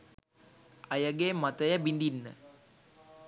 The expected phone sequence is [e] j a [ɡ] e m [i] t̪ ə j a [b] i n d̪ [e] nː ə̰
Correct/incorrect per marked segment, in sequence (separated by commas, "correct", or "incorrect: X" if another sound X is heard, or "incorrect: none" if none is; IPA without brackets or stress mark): incorrect: a, correct, incorrect: a, correct, incorrect: i